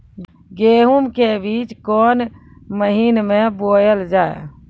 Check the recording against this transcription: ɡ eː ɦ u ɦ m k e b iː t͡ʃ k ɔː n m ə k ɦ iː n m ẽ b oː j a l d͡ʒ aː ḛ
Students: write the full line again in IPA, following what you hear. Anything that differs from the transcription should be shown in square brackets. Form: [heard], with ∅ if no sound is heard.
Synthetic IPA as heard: ɡ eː ɦ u [∅] m k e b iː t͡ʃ k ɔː n m ə [∅] ɦ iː n m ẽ b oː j [ə] l d͡ʒ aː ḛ